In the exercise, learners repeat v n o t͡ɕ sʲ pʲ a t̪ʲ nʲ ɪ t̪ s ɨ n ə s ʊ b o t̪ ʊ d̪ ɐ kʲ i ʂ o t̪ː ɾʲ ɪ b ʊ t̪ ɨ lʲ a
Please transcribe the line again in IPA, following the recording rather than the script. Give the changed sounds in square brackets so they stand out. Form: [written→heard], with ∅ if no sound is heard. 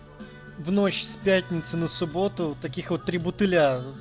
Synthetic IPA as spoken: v n o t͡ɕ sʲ pʲ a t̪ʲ nʲ ɪ t̪ s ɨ n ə s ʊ b o t̪ ʊ [d̪→t̪] ɐ kʲ i [ʂ→x] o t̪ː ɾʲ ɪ b ʊ t̪ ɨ lʲ a

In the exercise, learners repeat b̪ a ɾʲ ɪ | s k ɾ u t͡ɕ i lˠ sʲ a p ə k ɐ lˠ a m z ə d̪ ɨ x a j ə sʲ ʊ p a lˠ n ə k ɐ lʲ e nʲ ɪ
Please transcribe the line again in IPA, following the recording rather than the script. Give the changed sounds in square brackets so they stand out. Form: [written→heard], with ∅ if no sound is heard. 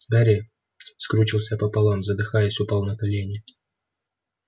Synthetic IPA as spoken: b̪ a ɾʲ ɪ | s k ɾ u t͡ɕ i lˠ sʲ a p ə [k→p] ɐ lˠ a m z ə d̪ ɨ x a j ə sʲ ʊ p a lˠ n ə k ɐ lʲ e nʲ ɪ

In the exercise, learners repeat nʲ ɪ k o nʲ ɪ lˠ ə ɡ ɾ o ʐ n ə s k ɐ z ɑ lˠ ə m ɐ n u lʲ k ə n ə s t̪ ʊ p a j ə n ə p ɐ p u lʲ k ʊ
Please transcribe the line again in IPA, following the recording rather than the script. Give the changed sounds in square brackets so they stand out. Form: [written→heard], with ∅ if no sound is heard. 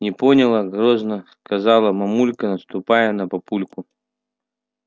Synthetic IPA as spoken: nʲ ɪ [k→p] o nʲ ɪ lˠ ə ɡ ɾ o [ʐ→z] n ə s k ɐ z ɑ lˠ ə m ɐ [n→m] u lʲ k ə n ə s t̪ ʊ p a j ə n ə p ɐ p u lʲ k ʊ

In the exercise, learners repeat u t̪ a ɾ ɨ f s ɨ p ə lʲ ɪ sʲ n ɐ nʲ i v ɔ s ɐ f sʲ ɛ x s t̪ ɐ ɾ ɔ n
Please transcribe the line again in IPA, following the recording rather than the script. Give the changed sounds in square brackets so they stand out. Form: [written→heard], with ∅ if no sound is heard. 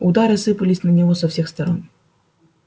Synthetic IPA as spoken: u [t̪→d̪] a ɾ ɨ [f→∅] s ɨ p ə lʲ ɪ sʲ n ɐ nʲ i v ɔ s ɐ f sʲ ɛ x s t̪ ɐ ɾ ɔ n

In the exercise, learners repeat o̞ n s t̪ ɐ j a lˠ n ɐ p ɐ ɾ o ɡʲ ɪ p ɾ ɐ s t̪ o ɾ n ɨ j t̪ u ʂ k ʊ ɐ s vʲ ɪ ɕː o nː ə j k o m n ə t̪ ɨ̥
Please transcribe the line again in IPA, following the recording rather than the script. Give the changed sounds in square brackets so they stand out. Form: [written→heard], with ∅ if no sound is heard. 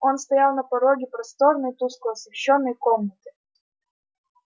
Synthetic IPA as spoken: o̞ n s t̪ ɐ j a lˠ n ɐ p ɐ ɾ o ɡʲ ɪ p ɾ ɐ s t̪ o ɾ n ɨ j t̪ u [ʂ→s] k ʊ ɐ s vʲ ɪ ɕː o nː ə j k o m n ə t̪ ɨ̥

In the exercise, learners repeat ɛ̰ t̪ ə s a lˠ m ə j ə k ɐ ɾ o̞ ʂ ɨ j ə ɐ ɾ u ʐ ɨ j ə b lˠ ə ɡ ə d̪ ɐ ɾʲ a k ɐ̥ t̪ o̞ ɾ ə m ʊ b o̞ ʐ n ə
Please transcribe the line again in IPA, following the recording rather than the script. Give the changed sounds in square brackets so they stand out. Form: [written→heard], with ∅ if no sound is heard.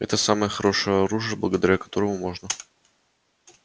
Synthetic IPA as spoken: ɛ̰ t̪ ə s a [lˠ→∅] m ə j ə [k→x] ɐ ɾ o̞ ʂ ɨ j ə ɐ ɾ u ʐ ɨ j ə b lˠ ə ɡ ə d̪ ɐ ɾʲ a k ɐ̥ t̪ o̞ ɾ ə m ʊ [b→m] o̞ ʐ n ə

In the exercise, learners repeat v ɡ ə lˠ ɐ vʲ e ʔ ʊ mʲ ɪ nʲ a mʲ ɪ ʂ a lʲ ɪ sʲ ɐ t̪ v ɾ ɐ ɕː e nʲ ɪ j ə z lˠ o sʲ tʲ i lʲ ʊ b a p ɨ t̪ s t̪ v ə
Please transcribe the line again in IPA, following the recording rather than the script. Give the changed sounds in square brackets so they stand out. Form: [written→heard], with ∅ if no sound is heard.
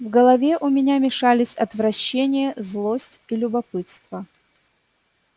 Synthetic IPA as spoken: v ɡ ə lˠ ɐ vʲ e ʔ ʊ mʲ ɪ nʲ a mʲ ɪ ʂ a lʲ ɪ sʲ ɐ t̪ v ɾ ɐ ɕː e nʲ ɪ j ə z lˠ o sʲ tʲ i lʲ ʊ b [a→ɐ] p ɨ t̪ s t̪ v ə

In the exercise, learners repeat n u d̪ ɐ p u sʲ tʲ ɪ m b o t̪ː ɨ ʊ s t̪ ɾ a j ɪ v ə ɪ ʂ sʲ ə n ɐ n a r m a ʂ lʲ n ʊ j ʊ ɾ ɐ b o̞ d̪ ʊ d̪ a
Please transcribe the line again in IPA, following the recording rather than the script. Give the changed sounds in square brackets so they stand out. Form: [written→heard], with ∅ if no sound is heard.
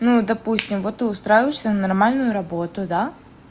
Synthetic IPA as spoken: n u d̪ ɐ p u sʲ tʲ ɪ m [b→v] o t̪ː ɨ ʊ s t̪ ɾ a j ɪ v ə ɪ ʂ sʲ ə n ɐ n [a→ɐ] r m a [ʂ→∅] lʲ n ʊ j ʊ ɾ ɐ b o̞ [d̪→t̪] ʊ d̪ a

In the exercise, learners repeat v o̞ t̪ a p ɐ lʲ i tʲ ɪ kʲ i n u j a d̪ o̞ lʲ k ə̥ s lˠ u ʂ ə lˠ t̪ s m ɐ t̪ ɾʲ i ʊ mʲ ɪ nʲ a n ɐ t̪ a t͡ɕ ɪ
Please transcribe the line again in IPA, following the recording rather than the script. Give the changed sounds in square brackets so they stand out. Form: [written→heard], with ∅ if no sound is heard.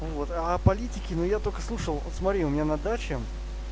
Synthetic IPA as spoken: v o̞ t̪ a p ɐ lʲ i tʲ ɪ kʲ [i→ɪ] n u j a [d̪→t̪] o̞ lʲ k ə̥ s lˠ u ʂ ə lˠ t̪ s m ɐ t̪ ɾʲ i ʊ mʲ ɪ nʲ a n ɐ [t̪→d̪] a t͡ɕ ɪ

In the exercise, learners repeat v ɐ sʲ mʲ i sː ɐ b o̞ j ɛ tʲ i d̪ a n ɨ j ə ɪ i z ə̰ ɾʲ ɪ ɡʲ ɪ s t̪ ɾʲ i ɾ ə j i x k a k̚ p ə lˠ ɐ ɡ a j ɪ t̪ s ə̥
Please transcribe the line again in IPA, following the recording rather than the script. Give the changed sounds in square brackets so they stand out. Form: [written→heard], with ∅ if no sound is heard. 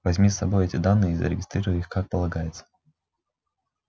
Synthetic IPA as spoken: v ɐ [sʲ→zʲ] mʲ i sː ɐ b o̞ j ɛ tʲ [i→ɪ] d̪ a [n→nː] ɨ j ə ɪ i z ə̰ ɾʲ ɪ ɡʲ ɪ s t̪ ɾʲ i ɾ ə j i x k a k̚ p ə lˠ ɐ ɡ a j ɪ t̪ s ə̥

